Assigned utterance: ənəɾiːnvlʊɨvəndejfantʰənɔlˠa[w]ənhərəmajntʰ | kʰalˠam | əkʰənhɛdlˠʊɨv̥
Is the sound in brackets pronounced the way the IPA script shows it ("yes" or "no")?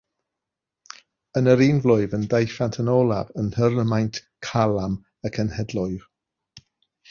no